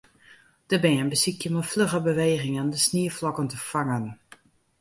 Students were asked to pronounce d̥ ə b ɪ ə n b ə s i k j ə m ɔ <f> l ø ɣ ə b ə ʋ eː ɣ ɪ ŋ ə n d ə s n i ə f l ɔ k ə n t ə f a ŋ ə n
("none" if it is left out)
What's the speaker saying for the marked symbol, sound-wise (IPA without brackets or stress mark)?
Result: f